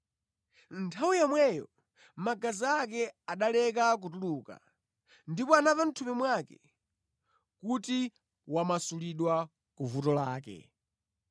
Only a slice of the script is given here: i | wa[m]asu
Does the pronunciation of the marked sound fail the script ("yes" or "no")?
no